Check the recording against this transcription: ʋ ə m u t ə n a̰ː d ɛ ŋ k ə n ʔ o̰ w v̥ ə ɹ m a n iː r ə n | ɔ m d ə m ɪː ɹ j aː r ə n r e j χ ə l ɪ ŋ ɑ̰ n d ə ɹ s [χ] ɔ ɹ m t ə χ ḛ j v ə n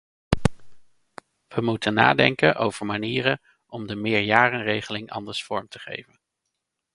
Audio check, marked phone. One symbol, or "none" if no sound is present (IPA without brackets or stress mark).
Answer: f